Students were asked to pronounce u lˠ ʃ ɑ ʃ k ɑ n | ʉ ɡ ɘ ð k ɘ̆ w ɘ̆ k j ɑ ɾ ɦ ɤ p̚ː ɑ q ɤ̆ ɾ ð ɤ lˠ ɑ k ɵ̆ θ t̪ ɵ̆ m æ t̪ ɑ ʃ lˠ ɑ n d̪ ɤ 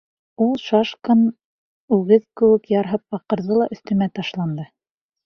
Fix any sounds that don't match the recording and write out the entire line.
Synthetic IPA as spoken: u lˠ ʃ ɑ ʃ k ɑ n | ʉ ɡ ɘ ð k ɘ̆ w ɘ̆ k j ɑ ɾ ɦ ɤ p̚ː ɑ q ɤ̆ ɾ ð ɤ lˠ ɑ ʔ ɵ̆ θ t̪ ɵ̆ m æ t̪ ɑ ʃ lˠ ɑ n d̪ ɤ